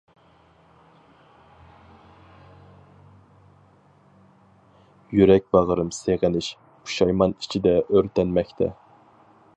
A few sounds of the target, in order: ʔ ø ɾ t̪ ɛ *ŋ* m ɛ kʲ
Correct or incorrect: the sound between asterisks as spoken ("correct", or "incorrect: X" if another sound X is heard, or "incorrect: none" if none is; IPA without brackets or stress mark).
incorrect: n